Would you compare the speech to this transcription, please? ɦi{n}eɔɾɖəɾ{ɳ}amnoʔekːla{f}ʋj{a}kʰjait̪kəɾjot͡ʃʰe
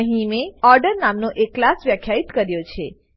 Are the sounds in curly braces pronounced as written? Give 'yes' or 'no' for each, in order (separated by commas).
no, no, no, no